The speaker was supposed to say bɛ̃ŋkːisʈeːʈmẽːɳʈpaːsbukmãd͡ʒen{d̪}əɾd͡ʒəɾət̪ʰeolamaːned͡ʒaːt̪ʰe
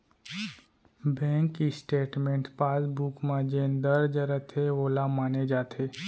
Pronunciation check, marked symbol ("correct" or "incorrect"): correct